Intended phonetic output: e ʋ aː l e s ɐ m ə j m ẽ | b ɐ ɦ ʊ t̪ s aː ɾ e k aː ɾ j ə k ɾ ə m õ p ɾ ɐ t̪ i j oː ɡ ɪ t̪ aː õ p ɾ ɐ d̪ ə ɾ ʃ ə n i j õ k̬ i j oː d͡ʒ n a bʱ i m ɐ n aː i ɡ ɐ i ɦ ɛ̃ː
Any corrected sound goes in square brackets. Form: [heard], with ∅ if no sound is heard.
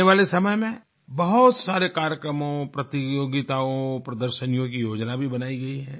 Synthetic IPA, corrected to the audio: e ʋ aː l e s ɐ m ə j m ẽ | b ɐ ɦ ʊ t̪ s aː ɾ e k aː ɾ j ə k ɾ ə m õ p ɾ ɐ t̪ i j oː ɡ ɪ t̪ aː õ p ɾ ɐ d̪ ə ɾ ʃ ə n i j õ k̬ i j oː d͡ʒ n a bʱ i [b] ɐ n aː i ɡ ɐ i ɦ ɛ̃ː